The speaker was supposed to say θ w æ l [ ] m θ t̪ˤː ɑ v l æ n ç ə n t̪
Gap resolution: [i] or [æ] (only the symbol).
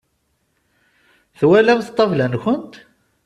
æ